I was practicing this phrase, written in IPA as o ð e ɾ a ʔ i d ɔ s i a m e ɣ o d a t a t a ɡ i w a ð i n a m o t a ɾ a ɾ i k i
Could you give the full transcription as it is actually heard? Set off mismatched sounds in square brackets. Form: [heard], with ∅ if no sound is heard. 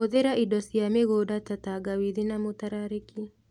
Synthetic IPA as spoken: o ð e ɾ a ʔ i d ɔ s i a m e ɣ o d a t a t a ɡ [a] w [i] ð i n a m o t a ɾ a ɾ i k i